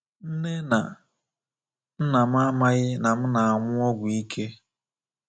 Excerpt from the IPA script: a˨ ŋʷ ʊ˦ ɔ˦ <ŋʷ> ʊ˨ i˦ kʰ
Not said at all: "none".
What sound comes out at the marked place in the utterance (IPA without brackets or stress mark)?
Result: ɡʷ